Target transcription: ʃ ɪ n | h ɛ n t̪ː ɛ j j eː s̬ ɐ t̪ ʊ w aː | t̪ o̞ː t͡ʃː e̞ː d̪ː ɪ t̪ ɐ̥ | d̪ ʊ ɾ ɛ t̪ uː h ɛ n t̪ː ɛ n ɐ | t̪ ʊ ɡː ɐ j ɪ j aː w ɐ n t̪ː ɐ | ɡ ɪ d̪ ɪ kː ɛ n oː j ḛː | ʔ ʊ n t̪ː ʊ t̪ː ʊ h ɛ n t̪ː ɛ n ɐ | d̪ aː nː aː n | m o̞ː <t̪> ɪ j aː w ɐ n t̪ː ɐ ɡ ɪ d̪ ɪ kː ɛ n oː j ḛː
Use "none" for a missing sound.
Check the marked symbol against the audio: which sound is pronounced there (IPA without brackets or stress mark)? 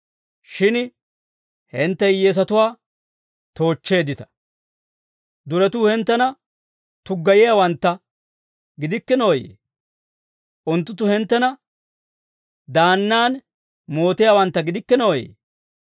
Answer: t̪